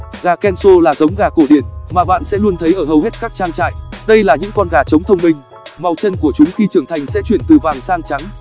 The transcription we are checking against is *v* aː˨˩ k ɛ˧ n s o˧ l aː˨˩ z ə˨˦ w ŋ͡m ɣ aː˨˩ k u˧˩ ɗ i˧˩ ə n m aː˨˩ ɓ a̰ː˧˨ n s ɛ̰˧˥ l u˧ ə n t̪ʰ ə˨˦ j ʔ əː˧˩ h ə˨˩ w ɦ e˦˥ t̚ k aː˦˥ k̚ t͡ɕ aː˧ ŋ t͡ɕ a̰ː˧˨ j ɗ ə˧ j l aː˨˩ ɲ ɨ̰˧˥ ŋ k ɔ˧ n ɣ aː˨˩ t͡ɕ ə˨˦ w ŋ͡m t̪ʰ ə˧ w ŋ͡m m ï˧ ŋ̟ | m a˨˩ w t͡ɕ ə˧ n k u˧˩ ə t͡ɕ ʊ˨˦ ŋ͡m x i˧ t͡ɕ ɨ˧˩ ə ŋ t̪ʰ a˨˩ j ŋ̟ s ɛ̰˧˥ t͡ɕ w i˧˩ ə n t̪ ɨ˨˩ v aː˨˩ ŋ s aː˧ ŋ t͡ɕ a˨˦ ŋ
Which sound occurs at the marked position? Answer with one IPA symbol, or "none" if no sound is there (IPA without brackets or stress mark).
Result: ɣ